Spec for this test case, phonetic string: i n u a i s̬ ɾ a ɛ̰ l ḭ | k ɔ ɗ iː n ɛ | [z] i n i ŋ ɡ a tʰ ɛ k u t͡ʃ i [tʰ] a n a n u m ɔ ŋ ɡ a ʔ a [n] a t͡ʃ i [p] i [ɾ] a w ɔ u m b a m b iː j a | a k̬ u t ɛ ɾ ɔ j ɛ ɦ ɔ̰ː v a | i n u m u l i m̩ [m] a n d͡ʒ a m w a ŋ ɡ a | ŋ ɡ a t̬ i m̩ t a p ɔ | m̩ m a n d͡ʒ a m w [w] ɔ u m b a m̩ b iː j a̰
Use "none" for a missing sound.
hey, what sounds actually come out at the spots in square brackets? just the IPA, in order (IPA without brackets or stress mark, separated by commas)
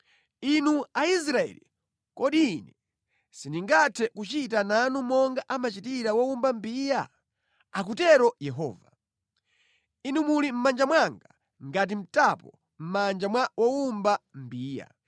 s, t, m, t, ɾ, m, w